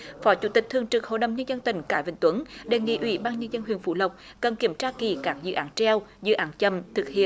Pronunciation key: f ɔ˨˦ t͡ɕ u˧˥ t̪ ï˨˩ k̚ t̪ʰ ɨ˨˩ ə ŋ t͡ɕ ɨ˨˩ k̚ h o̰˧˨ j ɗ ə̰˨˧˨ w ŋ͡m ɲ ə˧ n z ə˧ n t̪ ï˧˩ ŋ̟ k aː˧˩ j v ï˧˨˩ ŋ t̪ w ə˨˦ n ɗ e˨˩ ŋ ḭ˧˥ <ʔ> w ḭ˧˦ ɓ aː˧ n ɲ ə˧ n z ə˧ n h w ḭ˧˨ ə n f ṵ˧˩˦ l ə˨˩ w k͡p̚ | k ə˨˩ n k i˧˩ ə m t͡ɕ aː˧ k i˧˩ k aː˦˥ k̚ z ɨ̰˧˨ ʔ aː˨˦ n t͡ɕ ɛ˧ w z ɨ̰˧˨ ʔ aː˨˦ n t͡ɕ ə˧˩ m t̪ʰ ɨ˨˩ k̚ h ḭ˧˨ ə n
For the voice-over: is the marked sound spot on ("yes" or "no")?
yes